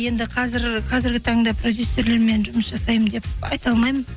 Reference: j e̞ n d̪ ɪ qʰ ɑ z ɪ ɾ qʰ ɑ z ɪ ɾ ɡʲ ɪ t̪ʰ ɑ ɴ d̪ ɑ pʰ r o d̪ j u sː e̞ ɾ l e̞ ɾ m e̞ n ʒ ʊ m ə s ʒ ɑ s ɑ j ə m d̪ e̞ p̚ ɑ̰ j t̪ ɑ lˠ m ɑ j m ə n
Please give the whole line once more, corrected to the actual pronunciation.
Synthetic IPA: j e̞ n d̪ ɪ qʰ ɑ z ɪ ɾ qʰ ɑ z ɪ ɾ ɡʲ ɪ t̪ʰ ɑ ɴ d̪ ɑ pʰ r o d̪ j u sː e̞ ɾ l e̞ ɾ m e̞ n ʒ ʊ m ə s ʒ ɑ s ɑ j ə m d̪ e̞ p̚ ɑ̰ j t̪ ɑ lˠ m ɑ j m ə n